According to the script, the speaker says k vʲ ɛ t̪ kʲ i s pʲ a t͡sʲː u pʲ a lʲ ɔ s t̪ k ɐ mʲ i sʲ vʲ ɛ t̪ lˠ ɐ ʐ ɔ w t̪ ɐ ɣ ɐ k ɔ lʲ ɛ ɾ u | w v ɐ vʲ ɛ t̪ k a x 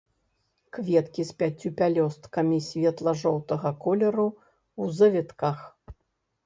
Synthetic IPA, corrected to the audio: k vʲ ɛ t̪ kʲ i s pʲ a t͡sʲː u pʲ a lʲ ɔ s t̪ k ɐ mʲ i sʲ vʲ ɛ t̪ lˠ ɐ ʐ ɔ w t̪ ɐ ɣ ɐ k ɔ lʲ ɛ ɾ u | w z ɐ vʲ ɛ t̪ k a x